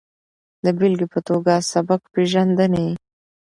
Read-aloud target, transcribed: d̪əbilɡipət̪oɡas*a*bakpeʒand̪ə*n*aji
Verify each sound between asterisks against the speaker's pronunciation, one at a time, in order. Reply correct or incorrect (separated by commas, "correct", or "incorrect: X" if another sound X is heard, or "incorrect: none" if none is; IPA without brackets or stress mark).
correct, correct